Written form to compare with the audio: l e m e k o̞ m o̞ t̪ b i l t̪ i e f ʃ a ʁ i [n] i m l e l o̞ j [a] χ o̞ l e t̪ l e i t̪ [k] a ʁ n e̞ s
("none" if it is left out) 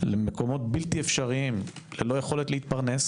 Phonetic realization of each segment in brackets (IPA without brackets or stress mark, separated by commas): none, e, p